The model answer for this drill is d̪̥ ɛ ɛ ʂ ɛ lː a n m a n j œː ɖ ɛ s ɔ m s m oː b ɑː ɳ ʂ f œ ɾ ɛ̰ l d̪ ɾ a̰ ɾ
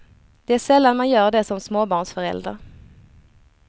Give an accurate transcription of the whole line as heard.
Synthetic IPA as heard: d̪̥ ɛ æ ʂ ɛ lː a n m a n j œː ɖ ɛ s ɔ m s m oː b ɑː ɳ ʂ f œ ɾ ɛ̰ l d̪ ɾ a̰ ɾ

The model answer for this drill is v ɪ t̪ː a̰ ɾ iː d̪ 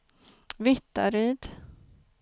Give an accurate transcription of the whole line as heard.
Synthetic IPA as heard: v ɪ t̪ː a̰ ɾ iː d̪

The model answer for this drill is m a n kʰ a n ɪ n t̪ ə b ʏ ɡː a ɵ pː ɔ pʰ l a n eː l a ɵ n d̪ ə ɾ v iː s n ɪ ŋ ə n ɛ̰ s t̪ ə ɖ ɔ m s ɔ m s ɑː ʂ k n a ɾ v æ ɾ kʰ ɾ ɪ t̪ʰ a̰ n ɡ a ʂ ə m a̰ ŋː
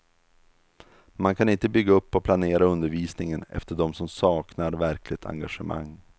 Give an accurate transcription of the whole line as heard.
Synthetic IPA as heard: m a n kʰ a n ɪ n t̪ ə b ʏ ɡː a ɵ pː ɔ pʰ l a n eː ɾ a ɵ n d̪ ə ɾ v iː s n ɪ ŋ ə n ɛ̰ f t̪ ə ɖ ɔ m s ɔ m s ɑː k n a ɾ v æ ɾ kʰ l ɪ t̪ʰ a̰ ŋ ɡ a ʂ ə m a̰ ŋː

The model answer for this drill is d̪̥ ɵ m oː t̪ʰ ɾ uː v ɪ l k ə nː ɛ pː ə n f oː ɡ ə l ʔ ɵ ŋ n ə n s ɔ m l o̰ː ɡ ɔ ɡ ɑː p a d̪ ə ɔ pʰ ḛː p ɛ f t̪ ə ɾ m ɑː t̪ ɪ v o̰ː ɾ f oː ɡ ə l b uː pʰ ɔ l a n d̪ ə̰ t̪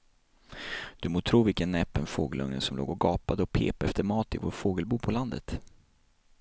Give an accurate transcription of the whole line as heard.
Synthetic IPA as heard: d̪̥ ɵ m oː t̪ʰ ɾ uː v ɪ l k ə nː ɛ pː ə n f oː ɡ ə l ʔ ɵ ŋ n ə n s ɔ m l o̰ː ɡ ɔ ɡ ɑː p a d̪ ə ɔ pʰ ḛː p ɛ f t̪ ə ɾ m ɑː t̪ ɪ v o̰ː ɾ f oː ɡ ə l b uː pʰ ɔ l a n d̪ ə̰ t̪

